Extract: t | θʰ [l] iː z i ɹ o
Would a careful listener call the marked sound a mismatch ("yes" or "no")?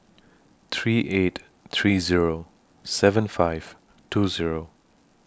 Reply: yes